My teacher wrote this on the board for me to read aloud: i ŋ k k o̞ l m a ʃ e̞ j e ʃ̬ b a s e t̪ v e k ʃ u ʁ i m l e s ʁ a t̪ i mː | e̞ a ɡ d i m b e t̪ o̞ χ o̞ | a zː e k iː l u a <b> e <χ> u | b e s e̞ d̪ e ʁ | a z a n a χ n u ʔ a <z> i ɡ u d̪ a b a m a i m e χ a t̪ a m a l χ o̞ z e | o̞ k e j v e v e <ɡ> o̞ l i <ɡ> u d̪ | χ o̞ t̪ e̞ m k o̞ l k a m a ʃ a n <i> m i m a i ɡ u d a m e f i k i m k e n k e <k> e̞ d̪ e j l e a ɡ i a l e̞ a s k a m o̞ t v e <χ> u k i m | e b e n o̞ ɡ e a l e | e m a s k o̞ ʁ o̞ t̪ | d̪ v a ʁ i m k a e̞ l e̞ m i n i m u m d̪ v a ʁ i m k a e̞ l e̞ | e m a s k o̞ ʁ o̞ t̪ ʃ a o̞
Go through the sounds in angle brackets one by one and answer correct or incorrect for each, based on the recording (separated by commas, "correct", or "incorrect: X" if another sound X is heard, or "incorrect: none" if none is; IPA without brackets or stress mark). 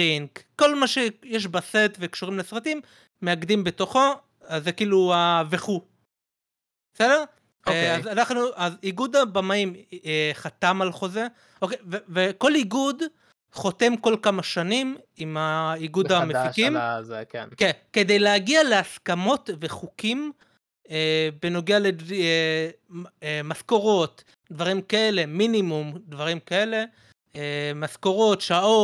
incorrect: v, correct, correct, incorrect: k, correct, correct, correct, correct